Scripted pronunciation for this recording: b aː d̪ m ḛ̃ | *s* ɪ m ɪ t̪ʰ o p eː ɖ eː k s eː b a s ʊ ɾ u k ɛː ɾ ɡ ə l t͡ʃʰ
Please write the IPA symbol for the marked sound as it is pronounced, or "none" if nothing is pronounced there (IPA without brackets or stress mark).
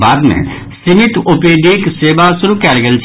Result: s